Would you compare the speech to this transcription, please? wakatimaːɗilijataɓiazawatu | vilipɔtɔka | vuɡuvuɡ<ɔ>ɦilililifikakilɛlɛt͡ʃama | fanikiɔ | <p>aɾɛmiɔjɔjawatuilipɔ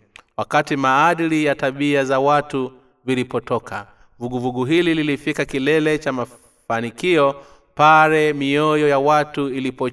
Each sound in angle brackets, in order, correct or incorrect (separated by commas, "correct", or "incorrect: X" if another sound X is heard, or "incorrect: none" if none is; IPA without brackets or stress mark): incorrect: u, correct